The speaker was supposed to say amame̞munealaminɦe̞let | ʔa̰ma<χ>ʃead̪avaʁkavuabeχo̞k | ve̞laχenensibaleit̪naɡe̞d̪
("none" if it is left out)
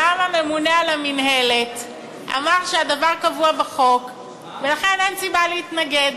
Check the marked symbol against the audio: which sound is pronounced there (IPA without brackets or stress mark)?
ʁ